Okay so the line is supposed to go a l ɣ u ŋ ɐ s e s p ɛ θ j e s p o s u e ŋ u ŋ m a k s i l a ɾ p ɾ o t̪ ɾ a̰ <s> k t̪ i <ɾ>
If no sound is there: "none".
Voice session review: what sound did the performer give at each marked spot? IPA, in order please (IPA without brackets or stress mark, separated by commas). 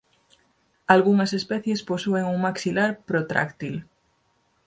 none, l